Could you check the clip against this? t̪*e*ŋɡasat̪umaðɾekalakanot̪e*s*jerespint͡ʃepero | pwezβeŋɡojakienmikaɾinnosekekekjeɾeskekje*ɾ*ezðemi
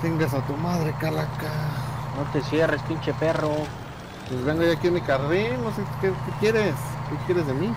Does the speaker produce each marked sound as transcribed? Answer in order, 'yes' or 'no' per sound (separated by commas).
yes, yes, yes